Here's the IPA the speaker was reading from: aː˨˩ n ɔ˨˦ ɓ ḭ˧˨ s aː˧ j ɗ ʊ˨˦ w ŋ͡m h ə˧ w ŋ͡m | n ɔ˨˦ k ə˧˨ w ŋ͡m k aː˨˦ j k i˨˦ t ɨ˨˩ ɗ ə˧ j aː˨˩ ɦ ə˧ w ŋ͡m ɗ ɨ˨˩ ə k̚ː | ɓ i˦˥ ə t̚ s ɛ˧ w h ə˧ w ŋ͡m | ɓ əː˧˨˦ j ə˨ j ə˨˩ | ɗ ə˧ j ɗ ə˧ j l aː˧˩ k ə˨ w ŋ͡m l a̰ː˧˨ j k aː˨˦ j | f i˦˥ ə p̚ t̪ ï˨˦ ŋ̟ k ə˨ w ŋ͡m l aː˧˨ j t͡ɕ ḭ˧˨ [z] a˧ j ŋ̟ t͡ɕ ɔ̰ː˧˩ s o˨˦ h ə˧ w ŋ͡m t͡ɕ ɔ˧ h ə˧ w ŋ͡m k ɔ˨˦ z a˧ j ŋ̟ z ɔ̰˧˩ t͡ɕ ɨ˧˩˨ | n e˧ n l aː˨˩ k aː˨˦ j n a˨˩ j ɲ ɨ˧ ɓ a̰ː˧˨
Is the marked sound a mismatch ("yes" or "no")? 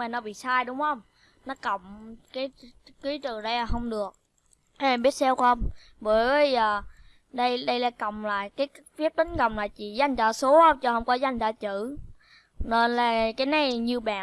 no